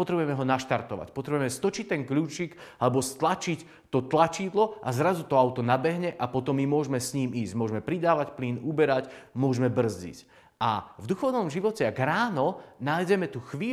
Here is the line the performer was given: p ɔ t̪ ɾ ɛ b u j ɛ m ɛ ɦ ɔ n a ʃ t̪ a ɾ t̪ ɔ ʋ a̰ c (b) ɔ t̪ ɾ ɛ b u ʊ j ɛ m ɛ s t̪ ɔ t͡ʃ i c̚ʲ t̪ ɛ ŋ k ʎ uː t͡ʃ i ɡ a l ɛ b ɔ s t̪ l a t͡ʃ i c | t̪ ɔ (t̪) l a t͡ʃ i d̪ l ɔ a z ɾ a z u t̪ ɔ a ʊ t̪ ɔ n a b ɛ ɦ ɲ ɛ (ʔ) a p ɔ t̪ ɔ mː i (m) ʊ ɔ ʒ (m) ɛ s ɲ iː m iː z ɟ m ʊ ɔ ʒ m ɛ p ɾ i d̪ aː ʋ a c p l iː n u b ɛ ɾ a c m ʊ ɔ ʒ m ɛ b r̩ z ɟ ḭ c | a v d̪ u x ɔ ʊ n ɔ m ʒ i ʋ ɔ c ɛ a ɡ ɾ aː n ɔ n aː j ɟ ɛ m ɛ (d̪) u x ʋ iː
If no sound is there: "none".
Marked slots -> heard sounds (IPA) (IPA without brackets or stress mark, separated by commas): p, t̪, ʔ, m, m, t̪